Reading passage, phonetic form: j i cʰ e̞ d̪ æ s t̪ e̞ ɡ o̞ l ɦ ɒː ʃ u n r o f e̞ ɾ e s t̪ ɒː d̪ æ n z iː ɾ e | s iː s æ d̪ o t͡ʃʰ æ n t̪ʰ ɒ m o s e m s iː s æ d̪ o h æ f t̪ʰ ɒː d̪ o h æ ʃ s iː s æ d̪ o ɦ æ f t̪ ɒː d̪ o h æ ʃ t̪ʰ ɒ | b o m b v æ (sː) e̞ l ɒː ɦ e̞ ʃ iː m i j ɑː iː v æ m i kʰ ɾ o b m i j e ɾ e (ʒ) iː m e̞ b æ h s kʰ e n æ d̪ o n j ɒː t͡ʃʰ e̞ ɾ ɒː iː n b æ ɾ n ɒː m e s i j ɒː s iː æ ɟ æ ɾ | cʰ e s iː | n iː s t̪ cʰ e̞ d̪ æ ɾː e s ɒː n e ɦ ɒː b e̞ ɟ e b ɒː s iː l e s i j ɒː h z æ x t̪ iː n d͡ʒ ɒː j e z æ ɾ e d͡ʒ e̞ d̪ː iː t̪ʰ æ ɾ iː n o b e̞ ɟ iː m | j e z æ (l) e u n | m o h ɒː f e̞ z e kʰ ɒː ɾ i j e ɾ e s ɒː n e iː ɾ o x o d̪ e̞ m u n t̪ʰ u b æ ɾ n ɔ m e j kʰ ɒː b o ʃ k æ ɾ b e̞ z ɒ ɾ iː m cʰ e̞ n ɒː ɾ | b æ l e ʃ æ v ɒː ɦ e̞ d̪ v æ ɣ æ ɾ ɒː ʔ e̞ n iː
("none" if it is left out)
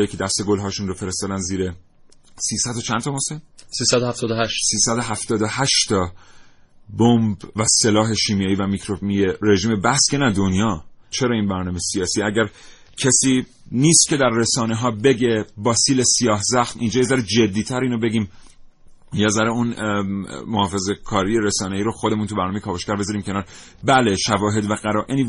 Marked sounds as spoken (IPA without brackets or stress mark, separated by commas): s, ʒ, ɾ